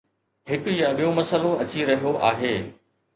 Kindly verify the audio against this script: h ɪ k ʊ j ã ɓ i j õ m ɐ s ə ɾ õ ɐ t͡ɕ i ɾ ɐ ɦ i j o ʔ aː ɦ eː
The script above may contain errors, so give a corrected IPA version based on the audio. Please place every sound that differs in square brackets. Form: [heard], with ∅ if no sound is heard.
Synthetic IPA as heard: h ɪ k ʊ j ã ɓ i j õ m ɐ s ə [l] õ ɐ t͡ɕ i ɾ ɐ ɦ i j o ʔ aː ɦ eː